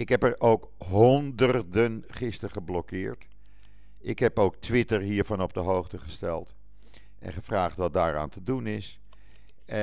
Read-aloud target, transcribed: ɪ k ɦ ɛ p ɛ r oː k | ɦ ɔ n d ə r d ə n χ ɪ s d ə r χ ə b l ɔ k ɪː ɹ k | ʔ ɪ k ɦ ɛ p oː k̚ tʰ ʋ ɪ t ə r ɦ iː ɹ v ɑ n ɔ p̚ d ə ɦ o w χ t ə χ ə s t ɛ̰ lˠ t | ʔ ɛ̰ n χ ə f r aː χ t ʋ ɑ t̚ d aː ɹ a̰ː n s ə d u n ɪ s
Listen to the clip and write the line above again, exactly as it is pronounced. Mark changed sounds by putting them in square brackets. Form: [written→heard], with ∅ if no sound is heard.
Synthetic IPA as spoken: ɪ k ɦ ɛ p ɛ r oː k | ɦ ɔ n d ə r d ə n χ ɪ s [d→t] ə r χ ə b l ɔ k ɪː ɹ [k→t] | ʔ ɪ k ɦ ɛ p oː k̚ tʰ ʋ ɪ t ə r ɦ iː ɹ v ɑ n ɔ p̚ d ə ɦ o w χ t ə χ ə s t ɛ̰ lˠ t | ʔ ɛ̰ n χ ə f r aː χ t ʋ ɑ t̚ d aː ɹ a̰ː n [s→t] ə d u n ɪ s